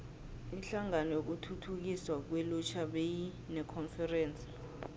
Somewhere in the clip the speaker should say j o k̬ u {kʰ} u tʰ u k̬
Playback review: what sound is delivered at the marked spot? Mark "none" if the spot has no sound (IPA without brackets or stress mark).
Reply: tʰ